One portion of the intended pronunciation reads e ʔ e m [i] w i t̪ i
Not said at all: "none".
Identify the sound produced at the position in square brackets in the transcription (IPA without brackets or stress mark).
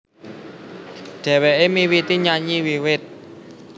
i